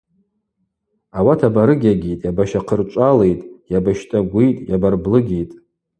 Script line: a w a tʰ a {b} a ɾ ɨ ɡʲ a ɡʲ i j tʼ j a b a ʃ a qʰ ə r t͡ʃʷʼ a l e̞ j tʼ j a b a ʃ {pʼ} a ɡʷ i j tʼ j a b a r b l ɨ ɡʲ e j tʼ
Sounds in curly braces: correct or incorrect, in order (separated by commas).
correct, incorrect